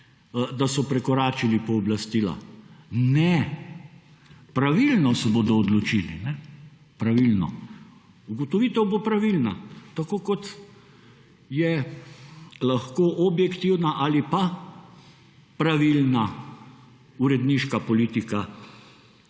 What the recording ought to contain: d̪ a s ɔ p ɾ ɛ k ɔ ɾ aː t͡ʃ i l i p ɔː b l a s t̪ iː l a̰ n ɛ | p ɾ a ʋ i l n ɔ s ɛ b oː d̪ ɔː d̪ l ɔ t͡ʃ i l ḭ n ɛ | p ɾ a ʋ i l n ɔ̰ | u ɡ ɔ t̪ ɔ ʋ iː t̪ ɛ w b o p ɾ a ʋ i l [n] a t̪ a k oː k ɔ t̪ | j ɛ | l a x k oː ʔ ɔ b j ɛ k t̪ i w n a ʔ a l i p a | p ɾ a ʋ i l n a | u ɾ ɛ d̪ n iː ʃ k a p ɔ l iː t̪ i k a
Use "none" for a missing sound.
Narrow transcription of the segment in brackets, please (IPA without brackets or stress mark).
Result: n